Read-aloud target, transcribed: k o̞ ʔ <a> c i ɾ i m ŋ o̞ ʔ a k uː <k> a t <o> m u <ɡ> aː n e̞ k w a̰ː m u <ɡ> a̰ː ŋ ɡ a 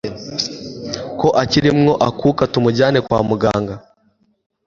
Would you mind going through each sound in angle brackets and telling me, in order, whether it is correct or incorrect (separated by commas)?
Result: correct, correct, incorrect, incorrect, correct